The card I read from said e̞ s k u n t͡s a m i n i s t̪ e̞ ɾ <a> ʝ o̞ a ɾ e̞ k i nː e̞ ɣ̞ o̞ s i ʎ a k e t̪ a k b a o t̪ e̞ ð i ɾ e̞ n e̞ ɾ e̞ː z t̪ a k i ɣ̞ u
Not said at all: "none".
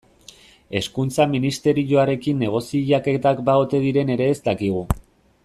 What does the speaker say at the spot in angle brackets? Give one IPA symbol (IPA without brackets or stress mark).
i